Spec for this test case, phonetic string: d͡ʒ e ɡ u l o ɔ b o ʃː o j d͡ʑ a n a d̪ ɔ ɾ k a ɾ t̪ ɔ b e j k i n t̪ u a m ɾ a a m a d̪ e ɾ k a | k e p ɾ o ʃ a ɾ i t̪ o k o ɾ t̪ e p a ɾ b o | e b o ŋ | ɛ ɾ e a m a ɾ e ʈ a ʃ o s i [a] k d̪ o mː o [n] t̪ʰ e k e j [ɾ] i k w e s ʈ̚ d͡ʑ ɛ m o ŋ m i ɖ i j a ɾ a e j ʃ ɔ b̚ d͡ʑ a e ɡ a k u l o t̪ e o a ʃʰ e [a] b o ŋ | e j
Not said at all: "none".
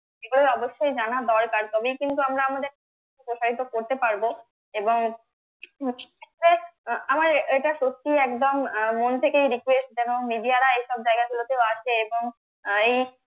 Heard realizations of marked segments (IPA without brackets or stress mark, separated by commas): ɛ, n, ɾ, e